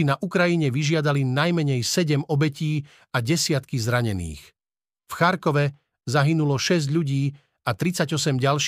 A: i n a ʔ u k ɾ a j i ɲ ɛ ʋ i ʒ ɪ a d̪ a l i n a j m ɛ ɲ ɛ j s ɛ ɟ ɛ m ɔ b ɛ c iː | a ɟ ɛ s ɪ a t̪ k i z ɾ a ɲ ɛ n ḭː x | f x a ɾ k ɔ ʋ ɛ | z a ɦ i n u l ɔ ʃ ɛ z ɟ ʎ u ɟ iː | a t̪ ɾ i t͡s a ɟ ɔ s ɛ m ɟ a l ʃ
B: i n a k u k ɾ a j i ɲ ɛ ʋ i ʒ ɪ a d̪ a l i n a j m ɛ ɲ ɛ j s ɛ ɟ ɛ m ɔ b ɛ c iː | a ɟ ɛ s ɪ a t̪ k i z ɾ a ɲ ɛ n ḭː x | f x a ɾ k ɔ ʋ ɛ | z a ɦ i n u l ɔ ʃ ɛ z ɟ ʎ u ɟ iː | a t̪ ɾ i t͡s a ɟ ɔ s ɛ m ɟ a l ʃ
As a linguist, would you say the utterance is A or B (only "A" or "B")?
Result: A